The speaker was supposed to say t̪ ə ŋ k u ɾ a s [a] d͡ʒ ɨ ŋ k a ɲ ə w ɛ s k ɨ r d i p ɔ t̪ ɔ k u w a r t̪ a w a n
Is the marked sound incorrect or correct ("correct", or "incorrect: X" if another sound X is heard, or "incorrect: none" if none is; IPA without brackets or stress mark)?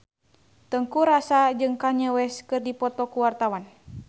correct